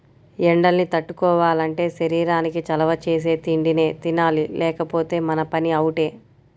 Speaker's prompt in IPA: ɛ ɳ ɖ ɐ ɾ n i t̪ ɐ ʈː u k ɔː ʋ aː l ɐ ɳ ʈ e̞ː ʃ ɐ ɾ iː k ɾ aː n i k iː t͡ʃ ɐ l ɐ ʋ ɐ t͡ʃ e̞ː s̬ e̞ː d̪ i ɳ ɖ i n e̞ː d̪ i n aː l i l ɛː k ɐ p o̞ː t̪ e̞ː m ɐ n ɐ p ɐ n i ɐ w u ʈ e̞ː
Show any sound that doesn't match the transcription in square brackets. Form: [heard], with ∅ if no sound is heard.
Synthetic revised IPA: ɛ ɳ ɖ ɐ [l] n i t̪ ɐ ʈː u k ɔː ʋ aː l ɐ ɳ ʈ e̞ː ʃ ɐ ɾ iː [∅] ɾ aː n i k [i] t͡ʃ ɐ l ɐ ʋ ɐ t͡ʃ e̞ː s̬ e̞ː [t̪] i ɳ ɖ i n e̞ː [t̪] i n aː l i l ɛː k ɐ p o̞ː t̪ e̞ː m ɐ n ɐ p ɐ n i ɐ w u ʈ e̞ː